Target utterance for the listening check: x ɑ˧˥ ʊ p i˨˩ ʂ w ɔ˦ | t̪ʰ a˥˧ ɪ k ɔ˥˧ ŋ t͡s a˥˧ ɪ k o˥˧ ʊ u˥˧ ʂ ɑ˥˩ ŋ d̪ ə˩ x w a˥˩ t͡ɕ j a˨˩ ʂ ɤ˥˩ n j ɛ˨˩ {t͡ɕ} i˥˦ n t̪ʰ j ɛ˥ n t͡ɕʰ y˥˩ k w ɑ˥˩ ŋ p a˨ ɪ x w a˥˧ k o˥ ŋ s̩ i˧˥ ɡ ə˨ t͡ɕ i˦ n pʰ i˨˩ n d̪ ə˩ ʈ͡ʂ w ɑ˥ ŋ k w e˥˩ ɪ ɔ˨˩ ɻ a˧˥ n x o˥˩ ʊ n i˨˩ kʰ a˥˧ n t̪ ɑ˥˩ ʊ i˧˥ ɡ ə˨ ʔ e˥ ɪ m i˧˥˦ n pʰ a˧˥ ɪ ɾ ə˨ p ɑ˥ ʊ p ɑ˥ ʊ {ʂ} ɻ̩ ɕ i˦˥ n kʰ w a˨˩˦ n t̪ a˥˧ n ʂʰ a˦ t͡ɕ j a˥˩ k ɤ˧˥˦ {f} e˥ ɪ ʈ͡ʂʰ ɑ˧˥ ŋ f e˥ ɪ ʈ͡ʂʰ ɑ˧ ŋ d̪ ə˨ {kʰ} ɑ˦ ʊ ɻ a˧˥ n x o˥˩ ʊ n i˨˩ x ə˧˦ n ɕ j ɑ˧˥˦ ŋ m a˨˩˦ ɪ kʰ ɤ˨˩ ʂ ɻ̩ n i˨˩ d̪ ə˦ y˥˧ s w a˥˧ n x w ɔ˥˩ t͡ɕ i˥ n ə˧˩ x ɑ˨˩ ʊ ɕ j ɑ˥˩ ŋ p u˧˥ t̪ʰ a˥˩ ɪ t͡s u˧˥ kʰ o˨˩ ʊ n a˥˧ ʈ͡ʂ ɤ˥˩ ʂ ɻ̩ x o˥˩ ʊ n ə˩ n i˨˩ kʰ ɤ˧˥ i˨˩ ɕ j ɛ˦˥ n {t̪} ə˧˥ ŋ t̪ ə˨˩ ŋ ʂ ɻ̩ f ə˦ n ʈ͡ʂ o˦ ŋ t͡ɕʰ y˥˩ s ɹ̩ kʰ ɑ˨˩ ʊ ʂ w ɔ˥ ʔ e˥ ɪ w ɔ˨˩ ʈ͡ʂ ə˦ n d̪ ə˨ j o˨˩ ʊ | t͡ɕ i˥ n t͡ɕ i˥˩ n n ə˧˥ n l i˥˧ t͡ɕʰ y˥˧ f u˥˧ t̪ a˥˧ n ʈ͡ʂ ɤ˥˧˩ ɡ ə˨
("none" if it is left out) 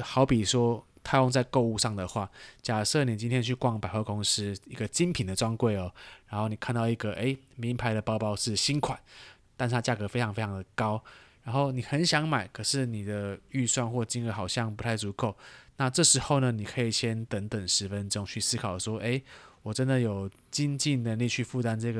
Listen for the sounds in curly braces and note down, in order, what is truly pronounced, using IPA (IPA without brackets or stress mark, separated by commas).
t͡ɕ, ʂ, f, k, t̪